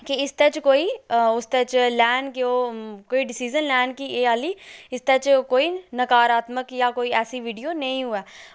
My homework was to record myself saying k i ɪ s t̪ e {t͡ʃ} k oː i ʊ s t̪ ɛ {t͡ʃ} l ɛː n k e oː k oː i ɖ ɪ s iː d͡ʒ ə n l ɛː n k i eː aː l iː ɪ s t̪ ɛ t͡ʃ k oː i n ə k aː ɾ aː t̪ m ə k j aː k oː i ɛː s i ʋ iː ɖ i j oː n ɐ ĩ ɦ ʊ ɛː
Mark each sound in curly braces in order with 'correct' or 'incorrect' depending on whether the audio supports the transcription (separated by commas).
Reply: correct, correct